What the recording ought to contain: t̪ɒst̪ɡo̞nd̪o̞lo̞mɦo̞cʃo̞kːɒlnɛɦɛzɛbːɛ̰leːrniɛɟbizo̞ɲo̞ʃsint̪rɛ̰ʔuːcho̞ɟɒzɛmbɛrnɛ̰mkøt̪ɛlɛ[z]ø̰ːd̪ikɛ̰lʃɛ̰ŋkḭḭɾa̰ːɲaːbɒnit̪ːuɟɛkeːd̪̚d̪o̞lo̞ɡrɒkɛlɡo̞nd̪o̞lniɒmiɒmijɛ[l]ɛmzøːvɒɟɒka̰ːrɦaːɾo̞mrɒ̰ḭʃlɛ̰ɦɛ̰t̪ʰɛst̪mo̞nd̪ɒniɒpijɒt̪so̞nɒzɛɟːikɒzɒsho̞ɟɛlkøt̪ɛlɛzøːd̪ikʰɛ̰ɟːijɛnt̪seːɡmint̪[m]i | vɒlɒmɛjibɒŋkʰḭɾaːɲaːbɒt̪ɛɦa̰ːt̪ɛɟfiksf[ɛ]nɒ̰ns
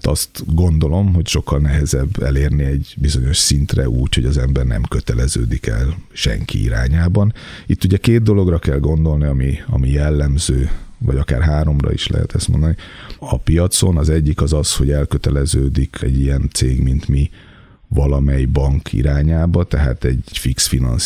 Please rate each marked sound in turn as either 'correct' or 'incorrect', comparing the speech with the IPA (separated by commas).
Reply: correct, incorrect, correct, incorrect